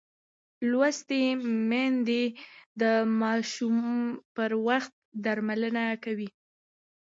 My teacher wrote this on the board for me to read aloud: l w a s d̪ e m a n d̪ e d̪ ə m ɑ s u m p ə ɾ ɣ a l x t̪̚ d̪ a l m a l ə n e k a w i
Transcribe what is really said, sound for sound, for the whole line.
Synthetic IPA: l w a s t̪ e m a n d̪ e d̪ ə m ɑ ʃ u m p ə ɾ w a x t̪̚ d̪ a ɾ m a l ə n a k a w i